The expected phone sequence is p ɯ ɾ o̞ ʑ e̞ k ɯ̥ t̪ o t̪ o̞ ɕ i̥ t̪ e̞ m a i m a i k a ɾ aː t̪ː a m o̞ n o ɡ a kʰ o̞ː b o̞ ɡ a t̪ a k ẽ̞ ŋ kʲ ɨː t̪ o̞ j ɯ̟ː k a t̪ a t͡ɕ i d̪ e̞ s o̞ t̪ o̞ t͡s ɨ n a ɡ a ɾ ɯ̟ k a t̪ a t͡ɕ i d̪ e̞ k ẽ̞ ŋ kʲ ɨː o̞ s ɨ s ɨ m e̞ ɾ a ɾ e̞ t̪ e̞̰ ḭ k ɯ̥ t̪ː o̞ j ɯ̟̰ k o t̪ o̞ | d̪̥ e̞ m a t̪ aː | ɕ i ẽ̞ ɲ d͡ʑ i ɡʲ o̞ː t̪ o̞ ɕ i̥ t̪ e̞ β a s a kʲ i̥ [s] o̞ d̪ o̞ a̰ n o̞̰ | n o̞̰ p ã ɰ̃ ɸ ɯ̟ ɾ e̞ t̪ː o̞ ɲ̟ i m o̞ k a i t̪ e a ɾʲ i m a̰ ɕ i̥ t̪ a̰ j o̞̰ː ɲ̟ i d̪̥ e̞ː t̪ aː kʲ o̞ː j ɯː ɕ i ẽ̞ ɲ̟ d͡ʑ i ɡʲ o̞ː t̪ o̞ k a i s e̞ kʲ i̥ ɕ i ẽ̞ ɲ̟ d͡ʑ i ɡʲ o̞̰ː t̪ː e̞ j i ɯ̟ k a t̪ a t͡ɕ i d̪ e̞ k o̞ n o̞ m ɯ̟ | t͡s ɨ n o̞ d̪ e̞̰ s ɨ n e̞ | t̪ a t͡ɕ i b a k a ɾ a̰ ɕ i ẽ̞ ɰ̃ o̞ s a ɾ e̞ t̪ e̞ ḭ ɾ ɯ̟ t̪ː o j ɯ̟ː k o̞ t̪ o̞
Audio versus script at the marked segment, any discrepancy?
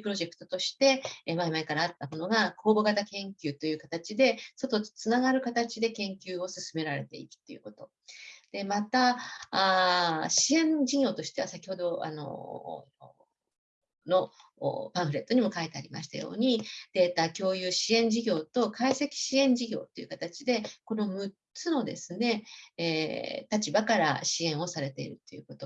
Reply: yes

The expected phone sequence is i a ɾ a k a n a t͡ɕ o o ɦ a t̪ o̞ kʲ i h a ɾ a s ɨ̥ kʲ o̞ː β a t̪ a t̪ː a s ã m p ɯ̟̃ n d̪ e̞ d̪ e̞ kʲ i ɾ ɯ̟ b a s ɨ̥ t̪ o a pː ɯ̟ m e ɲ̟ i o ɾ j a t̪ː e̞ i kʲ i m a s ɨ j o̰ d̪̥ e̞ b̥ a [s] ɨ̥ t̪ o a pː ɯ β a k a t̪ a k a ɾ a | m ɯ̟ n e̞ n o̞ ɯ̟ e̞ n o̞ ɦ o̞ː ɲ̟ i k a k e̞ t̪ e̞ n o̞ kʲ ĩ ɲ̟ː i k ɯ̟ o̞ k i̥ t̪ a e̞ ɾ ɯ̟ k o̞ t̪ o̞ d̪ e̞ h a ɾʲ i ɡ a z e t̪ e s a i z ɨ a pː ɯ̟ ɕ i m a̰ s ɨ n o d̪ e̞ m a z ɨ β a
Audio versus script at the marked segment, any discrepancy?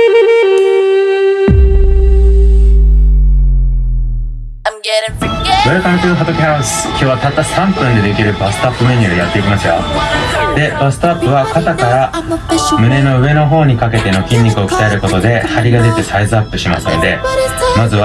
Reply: no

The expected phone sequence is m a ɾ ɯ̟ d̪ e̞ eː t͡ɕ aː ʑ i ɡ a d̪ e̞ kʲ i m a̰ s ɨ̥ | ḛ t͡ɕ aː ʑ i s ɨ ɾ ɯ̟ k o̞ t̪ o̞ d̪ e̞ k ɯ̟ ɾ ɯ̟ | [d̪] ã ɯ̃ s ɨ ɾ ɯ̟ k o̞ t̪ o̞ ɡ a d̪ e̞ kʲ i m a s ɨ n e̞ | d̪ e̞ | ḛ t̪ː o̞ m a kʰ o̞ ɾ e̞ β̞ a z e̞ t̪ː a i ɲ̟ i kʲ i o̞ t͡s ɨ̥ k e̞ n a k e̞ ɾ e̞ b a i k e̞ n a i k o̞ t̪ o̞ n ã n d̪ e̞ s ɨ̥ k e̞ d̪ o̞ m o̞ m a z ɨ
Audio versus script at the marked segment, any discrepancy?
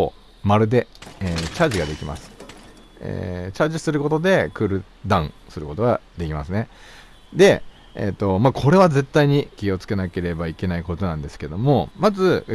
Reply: no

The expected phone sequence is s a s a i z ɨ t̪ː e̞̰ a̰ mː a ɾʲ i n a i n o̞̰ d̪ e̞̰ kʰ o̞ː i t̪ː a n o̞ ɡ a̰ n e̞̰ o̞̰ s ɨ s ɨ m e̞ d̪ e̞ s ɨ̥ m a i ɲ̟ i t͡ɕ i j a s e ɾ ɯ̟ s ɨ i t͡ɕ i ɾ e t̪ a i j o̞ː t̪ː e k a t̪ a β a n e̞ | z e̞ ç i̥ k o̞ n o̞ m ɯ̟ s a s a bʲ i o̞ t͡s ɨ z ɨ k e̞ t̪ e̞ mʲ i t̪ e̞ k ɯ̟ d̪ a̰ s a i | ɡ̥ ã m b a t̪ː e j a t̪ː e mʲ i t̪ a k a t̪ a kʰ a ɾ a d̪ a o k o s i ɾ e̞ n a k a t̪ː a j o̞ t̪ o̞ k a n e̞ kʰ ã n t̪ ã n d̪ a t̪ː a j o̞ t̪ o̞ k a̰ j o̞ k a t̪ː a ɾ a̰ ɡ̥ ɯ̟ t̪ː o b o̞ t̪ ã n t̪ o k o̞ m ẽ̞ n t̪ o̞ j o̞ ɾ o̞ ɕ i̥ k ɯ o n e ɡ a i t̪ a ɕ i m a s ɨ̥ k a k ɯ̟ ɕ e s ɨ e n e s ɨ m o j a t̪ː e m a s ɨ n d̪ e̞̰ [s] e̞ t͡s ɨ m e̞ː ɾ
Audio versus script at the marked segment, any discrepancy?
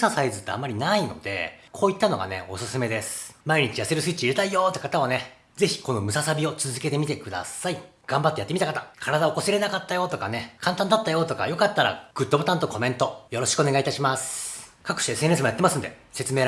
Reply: no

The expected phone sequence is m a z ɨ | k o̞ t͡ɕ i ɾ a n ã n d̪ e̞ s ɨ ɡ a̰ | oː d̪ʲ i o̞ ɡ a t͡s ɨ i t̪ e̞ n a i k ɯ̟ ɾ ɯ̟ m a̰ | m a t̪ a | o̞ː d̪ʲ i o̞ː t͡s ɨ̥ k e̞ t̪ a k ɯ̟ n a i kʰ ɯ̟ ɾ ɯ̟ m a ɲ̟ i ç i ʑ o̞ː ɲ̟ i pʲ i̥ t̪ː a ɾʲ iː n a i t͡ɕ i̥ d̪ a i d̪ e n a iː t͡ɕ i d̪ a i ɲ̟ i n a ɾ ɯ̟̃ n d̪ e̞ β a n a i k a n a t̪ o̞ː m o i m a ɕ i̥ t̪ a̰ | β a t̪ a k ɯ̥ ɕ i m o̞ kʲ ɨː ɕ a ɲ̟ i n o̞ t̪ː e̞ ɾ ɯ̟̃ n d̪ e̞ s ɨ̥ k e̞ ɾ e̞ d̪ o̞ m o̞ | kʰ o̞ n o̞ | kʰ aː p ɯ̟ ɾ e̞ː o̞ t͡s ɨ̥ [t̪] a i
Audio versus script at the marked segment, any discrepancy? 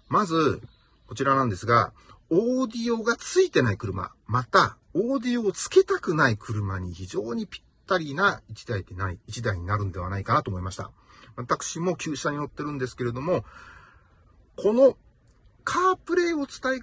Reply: no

